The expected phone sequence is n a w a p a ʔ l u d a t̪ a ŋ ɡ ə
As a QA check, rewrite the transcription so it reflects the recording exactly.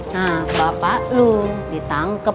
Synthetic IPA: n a b a p a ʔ l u d i t̪ a ŋ k ə